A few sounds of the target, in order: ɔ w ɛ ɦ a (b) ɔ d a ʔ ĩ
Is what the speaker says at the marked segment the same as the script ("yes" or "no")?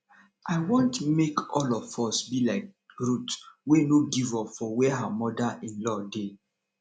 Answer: no